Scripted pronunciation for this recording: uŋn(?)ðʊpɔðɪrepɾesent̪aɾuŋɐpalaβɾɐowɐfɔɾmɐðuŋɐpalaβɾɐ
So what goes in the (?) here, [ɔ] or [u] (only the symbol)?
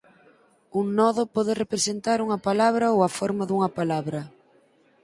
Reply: ɔ